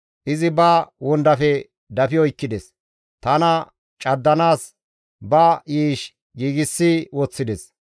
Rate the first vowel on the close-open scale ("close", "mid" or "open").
close